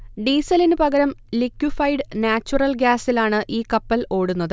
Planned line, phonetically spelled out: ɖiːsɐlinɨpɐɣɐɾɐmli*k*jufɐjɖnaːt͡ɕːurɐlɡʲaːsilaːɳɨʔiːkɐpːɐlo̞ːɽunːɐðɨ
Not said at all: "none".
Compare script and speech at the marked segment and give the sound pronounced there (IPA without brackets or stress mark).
k